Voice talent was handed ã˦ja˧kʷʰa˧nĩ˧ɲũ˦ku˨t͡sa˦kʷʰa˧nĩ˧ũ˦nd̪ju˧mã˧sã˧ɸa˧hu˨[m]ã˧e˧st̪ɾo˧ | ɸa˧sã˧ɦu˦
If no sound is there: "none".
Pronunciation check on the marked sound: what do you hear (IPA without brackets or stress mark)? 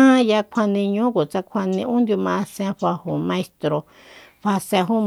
m